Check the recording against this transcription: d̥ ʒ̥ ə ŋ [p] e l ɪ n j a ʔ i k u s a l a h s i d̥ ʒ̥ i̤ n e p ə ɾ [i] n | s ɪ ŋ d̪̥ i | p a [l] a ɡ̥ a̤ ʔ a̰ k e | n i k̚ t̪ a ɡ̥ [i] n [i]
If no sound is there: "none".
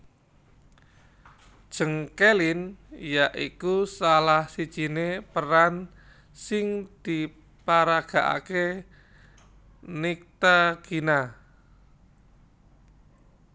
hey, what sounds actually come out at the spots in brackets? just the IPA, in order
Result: k, a, ɾ, i, a

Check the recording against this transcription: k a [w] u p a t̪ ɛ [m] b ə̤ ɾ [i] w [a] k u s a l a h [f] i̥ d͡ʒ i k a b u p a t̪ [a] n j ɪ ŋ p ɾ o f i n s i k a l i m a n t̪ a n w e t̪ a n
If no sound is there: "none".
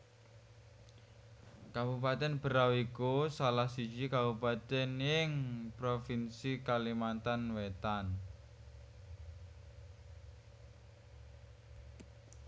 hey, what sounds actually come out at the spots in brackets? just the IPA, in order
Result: b, n, a, i, s, ɛ

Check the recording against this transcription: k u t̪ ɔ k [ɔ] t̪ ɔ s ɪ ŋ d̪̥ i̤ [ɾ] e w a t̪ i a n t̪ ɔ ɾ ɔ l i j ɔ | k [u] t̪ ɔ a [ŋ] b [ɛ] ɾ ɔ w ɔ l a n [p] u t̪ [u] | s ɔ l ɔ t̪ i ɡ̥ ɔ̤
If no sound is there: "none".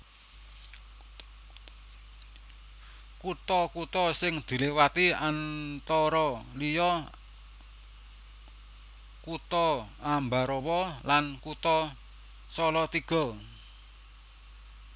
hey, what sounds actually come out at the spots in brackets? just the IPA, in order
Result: u, l, u, m, a, k, ɔ

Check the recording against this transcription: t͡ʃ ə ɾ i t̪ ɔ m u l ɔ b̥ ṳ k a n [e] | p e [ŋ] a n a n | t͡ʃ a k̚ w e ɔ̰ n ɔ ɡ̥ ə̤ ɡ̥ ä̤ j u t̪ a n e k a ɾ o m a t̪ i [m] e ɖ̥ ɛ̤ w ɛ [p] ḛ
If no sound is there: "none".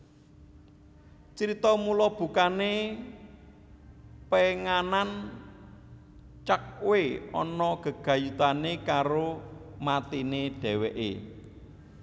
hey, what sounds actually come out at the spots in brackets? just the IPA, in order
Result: e, ŋ, n, ʔ

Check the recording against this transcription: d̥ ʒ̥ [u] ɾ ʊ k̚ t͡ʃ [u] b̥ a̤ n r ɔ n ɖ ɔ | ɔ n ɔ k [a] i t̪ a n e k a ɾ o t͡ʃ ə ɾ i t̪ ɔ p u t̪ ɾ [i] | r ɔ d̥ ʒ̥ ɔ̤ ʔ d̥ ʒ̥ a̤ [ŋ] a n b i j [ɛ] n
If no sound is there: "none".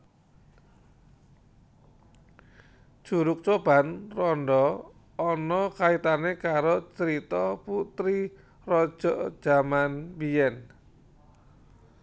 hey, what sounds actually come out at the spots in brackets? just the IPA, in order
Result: u, o, a, i, m, ɛ

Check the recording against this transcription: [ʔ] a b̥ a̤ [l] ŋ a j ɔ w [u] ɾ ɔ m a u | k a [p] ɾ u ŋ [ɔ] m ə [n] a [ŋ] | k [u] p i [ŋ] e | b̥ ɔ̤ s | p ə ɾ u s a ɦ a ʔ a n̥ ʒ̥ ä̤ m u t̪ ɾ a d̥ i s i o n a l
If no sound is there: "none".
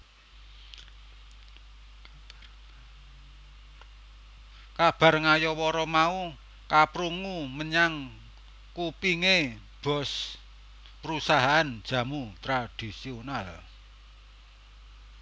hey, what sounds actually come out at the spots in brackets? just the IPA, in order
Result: k, r, ɔ, p, u, ɲ, ŋ, u, ŋ

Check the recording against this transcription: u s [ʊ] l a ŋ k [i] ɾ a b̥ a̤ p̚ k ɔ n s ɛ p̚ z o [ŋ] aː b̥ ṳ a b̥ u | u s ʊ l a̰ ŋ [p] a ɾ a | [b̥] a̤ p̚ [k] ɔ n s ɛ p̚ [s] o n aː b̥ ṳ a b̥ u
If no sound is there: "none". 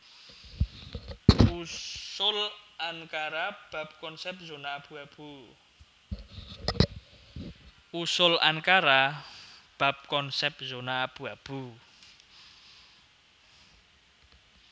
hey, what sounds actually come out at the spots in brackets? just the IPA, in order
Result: ʊ, a, n, k, b̥, k, z

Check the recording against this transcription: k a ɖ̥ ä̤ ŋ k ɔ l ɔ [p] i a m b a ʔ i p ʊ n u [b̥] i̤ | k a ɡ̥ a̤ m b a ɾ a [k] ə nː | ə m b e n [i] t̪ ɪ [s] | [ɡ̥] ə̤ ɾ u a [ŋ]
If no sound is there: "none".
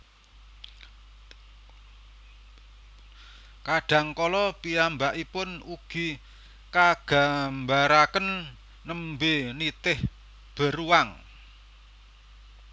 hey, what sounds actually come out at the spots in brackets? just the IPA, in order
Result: p, ɡ̥, k, i, h, b̥, ŋ

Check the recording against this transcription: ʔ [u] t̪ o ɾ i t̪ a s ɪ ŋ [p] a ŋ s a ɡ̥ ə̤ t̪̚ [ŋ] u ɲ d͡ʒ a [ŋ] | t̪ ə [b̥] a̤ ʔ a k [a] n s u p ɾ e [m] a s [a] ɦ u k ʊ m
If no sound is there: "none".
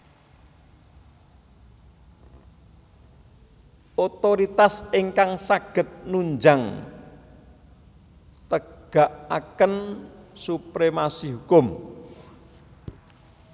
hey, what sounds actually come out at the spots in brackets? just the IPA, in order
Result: o, k, n, ŋ, ɡ̥, ə, m, i

